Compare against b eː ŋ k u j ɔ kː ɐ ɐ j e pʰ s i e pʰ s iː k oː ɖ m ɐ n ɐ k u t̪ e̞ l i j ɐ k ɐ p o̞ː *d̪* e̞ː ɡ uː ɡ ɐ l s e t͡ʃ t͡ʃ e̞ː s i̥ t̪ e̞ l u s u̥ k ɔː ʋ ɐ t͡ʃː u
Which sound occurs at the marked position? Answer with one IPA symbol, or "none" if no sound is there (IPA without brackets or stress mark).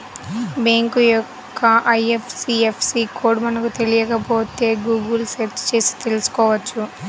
t̪